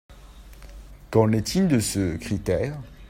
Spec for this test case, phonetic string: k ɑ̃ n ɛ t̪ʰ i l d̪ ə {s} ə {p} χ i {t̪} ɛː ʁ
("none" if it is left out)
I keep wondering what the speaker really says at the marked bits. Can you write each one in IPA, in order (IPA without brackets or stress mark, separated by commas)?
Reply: s, k, t̪